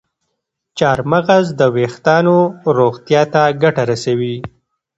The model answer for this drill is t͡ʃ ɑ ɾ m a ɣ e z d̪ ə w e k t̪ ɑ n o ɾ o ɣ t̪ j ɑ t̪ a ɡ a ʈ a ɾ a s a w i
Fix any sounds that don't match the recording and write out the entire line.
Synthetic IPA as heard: t͡ʃ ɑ ɾ m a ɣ a z d̪ ə w e x t̪ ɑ n o ɾ o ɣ t̪ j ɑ t̪ a ɡ a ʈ a ɾ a s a w i